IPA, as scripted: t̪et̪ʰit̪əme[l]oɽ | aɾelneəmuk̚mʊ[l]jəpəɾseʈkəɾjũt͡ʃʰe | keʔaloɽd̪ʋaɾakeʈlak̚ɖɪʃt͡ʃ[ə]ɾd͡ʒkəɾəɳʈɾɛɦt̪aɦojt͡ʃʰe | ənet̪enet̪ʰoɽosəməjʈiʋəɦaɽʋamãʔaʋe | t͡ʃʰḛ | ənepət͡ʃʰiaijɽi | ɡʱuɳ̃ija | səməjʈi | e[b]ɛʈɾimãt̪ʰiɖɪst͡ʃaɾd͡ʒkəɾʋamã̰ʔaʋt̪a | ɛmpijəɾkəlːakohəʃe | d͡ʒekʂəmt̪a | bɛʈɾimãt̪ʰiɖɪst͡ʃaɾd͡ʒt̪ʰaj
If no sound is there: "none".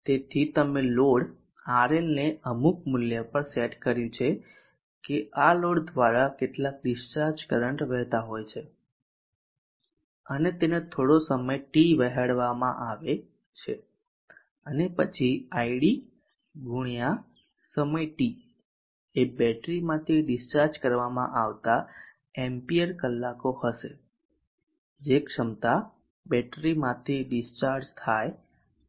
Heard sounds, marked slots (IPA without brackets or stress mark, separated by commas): l, l, a, b